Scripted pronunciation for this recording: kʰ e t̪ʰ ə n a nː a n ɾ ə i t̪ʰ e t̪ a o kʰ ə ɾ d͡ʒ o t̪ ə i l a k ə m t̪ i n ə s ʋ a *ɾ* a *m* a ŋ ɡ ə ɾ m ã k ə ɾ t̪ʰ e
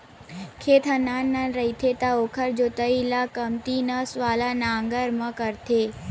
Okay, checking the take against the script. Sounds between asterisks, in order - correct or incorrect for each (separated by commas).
incorrect, incorrect